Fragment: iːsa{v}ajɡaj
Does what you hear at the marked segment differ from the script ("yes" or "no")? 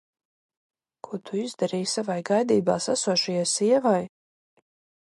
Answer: no